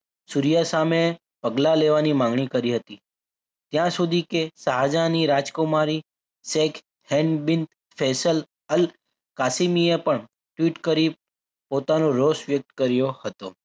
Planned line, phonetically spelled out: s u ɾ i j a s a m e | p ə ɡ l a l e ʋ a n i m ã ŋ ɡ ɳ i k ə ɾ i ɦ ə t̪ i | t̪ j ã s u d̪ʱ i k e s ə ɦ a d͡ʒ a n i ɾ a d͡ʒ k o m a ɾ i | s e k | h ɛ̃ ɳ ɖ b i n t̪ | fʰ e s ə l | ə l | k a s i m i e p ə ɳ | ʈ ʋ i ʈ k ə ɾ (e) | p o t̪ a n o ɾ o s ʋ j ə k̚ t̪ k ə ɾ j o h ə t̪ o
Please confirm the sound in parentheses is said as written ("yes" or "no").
no